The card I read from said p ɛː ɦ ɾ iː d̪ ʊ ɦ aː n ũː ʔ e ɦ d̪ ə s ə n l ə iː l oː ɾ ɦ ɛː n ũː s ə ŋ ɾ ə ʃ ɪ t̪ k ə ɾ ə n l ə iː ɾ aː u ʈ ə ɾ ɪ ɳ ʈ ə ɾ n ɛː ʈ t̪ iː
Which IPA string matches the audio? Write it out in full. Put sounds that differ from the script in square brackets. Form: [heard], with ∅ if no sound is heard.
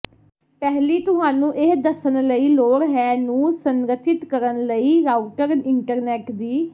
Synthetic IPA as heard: p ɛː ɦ [l] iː [t̪] ʊ ɦ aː n ũː ʔ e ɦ d̪ ə s ə n l ə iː l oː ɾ ɦ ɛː n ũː s ə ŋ ɾ ə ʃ ɪ t̪ k ə ɾ ə n l ə iː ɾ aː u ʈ ə ɾ ɪ ɳ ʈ ə ɾ n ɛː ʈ [d̪] iː